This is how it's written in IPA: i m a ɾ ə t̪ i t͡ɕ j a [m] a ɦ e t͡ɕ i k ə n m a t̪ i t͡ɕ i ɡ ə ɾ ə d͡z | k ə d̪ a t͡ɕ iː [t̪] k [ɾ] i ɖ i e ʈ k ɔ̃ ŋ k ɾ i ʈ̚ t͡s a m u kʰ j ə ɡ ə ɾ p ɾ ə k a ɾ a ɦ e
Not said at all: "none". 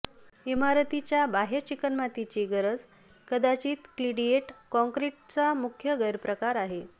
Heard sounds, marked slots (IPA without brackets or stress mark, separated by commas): b, t̪, l